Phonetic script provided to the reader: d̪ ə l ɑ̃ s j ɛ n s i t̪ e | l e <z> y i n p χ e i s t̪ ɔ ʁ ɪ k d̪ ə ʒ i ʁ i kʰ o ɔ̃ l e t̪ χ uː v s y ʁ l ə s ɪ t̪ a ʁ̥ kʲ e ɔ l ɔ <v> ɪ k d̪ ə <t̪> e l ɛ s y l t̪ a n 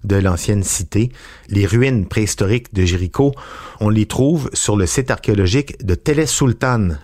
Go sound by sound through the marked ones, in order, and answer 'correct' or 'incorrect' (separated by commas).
incorrect, incorrect, correct